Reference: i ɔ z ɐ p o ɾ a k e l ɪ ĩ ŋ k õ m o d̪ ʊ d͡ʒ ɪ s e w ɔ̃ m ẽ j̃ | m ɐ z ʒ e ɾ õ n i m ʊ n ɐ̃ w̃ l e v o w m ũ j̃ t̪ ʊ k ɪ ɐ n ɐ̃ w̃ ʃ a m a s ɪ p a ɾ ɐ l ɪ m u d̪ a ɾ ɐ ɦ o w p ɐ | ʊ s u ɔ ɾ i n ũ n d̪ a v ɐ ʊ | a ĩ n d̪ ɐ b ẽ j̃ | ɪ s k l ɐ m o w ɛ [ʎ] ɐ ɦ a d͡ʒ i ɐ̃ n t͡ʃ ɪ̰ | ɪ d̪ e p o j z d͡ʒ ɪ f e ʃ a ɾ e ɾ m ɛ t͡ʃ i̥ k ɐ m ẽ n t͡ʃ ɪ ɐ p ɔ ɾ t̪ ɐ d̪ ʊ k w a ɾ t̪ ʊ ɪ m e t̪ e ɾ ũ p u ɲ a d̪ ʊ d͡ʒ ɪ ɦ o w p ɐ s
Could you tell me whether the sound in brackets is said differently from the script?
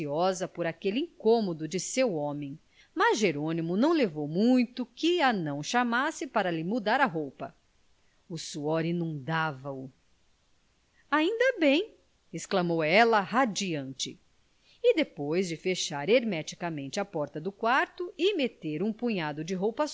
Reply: yes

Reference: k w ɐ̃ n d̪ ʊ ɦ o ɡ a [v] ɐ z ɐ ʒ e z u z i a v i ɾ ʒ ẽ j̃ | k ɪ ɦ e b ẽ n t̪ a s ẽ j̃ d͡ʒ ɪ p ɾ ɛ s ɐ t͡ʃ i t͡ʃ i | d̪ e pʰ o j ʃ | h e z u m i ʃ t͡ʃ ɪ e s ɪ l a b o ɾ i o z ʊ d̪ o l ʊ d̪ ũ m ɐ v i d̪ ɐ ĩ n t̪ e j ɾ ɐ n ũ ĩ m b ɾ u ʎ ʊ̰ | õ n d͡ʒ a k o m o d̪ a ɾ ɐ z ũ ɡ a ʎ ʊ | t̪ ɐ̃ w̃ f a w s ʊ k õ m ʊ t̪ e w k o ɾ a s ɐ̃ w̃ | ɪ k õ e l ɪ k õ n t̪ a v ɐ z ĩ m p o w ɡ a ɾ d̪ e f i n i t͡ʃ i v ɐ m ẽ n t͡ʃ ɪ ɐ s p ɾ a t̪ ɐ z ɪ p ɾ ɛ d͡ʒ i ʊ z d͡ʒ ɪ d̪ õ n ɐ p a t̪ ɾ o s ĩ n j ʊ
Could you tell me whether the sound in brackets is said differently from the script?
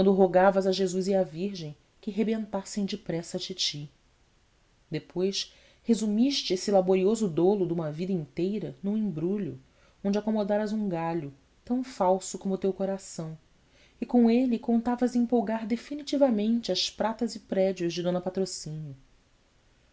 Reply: no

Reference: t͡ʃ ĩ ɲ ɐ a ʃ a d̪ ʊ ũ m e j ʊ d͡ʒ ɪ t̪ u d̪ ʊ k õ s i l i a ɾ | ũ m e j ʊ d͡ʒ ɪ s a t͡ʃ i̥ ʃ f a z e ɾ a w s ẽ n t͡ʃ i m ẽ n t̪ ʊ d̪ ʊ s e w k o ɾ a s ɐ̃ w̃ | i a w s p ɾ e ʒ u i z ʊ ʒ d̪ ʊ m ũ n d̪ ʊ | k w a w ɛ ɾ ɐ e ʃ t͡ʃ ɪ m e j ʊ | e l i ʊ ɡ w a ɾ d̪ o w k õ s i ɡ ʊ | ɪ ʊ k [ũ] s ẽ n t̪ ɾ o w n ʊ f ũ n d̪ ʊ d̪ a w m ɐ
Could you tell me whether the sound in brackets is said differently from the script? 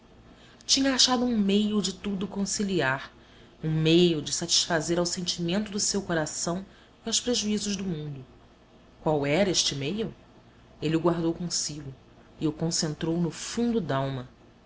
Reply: yes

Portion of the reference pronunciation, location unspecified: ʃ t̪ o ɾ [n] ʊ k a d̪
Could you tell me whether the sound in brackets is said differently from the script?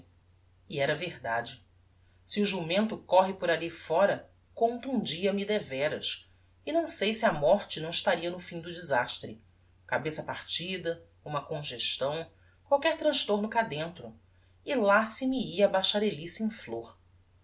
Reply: no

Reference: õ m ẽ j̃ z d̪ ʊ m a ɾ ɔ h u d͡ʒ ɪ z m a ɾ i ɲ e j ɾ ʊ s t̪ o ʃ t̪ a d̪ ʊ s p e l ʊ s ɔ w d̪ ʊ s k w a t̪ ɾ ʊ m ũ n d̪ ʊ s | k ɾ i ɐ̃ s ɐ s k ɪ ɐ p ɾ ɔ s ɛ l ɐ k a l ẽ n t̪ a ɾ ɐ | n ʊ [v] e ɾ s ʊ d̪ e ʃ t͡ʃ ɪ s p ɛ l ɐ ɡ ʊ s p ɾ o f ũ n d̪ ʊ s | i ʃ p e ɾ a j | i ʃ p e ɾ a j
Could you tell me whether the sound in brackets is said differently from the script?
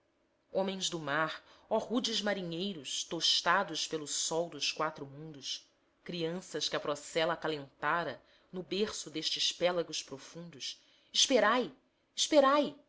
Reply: yes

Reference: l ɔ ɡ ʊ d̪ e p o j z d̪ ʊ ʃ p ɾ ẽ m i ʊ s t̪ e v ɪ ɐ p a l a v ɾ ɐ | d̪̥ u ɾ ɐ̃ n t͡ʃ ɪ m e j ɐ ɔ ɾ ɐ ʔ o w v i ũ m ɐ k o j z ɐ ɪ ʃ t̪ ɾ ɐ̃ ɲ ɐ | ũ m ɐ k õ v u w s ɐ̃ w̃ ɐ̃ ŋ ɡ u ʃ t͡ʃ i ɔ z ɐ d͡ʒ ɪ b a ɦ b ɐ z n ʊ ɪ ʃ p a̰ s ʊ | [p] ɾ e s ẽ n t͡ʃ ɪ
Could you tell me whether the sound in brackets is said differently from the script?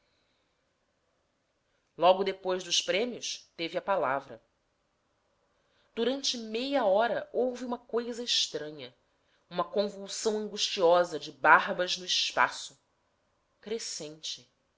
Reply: yes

